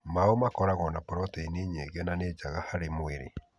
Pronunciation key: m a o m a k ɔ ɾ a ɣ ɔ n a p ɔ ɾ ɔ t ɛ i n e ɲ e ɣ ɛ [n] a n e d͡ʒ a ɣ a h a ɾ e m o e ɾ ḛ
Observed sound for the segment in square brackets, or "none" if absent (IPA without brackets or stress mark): n